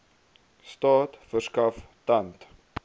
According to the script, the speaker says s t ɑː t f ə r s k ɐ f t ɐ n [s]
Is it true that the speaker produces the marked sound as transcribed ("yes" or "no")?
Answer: no